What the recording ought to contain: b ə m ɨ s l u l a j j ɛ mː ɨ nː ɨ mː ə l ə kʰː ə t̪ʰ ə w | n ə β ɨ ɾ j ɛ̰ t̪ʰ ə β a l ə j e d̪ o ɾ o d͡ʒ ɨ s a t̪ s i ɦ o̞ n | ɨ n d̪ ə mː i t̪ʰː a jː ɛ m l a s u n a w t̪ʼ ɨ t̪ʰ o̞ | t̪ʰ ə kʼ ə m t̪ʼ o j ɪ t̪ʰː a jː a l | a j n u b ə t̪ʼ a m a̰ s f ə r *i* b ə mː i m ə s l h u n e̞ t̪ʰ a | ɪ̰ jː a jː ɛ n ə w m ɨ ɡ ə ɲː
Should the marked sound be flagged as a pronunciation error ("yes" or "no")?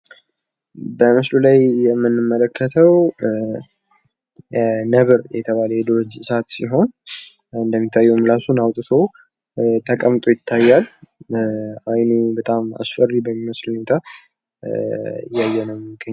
no